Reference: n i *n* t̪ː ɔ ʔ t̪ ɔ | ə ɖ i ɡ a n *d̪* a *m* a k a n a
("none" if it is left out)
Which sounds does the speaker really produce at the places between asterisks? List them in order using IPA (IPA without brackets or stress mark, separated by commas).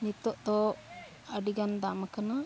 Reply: none, d̪, m